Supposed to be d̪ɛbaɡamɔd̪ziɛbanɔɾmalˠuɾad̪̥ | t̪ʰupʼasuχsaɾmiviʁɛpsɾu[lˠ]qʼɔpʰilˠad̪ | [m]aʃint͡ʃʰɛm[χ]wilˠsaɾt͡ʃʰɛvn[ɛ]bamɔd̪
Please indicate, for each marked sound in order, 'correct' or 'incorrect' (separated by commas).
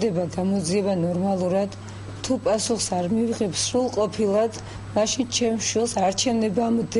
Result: correct, correct, incorrect, correct